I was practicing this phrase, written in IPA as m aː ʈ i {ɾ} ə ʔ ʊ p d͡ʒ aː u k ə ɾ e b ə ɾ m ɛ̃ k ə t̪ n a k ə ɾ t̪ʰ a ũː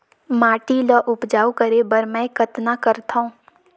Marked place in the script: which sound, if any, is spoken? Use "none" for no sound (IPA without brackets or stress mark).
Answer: l